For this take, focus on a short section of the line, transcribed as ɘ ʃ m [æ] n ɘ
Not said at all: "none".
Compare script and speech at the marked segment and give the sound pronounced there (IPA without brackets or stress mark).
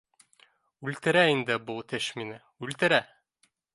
i